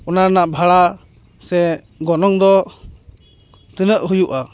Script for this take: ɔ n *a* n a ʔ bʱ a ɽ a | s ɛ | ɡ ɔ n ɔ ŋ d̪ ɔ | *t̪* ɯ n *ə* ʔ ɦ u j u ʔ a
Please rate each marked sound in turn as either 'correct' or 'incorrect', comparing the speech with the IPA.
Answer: correct, correct, correct

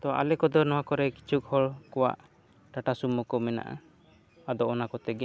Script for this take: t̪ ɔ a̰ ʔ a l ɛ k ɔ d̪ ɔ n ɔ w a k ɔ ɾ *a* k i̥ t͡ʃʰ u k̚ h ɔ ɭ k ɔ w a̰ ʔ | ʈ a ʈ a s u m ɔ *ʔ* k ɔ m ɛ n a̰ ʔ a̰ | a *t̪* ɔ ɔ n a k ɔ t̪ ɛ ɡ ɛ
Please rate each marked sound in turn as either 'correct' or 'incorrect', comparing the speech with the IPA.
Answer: incorrect, incorrect, incorrect

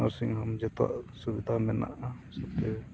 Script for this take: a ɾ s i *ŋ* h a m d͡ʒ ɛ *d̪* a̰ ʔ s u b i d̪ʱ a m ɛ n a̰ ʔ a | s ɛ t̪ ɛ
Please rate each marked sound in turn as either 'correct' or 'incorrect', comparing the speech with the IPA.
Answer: correct, incorrect

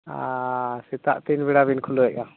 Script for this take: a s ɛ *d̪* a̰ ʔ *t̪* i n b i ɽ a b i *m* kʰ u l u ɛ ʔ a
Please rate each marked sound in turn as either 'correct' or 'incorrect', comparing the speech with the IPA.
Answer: incorrect, correct, incorrect

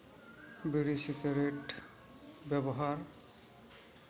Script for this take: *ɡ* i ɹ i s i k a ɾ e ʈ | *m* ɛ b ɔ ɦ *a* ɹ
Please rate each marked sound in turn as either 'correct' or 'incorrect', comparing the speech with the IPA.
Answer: incorrect, incorrect, correct

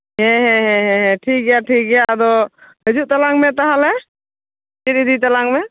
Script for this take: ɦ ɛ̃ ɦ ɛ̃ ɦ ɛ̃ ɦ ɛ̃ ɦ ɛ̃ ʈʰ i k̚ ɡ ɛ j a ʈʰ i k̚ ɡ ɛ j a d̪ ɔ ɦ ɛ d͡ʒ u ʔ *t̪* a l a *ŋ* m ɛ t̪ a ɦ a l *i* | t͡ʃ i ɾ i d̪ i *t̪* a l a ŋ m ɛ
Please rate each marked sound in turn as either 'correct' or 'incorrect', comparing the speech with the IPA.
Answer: correct, correct, incorrect, correct

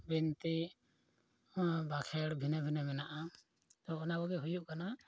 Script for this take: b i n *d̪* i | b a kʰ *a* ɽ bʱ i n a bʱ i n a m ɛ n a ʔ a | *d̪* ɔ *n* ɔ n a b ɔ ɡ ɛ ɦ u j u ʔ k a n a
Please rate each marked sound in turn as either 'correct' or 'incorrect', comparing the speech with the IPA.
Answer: incorrect, incorrect, incorrect, incorrect

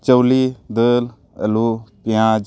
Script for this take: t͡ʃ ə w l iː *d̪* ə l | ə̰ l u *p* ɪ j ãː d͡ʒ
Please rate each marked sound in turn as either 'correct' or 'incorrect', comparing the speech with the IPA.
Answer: correct, correct

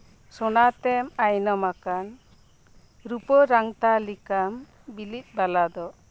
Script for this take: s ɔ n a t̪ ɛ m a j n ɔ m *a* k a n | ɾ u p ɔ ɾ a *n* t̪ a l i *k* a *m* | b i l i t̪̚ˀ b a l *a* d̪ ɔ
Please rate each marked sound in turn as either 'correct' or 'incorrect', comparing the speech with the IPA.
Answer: correct, incorrect, correct, correct, correct

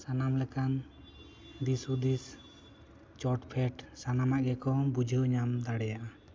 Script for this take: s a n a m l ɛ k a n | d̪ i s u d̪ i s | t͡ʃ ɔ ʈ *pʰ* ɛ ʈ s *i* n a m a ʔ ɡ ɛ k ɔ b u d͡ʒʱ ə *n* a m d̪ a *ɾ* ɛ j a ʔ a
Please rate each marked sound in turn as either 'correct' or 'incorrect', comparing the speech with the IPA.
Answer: correct, incorrect, incorrect, incorrect

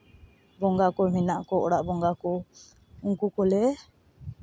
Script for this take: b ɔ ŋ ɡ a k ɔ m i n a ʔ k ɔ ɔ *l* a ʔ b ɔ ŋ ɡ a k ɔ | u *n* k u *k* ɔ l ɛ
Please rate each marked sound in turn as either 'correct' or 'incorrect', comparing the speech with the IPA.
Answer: incorrect, incorrect, correct

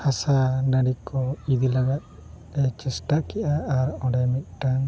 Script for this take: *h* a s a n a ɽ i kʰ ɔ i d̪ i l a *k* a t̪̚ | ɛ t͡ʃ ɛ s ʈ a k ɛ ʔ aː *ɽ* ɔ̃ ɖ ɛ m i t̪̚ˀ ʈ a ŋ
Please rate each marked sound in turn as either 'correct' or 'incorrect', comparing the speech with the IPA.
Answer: correct, incorrect, incorrect

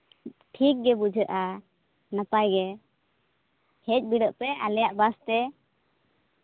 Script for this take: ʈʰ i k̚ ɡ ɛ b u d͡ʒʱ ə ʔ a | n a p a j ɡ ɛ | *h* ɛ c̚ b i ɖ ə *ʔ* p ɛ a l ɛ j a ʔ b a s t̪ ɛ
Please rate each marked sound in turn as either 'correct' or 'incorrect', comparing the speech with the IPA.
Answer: correct, correct

